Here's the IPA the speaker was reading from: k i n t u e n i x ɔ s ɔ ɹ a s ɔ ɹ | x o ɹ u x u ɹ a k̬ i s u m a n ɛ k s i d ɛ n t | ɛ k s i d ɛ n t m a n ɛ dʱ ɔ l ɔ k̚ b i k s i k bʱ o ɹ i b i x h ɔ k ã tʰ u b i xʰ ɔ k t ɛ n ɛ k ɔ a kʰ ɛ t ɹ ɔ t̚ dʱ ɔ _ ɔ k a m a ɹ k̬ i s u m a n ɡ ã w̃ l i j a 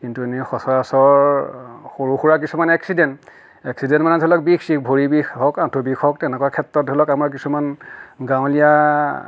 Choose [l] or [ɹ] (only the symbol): l